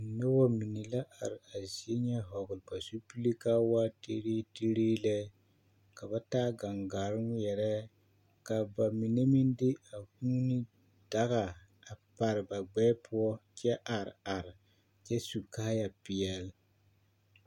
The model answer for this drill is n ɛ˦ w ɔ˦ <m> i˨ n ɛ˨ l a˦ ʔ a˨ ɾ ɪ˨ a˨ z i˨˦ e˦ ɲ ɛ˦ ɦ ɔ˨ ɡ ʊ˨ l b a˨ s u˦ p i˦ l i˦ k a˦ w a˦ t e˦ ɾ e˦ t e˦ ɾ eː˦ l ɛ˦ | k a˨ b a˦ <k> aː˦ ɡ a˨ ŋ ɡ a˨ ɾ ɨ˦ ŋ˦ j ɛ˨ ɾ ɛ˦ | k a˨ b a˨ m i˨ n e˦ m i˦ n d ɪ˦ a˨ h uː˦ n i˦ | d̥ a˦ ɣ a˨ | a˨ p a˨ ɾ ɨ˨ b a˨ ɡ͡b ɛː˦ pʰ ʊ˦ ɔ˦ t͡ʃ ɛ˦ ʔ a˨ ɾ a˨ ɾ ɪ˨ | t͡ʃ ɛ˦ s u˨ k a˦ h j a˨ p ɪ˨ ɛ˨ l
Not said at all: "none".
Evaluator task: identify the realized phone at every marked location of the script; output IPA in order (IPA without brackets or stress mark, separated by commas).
m, t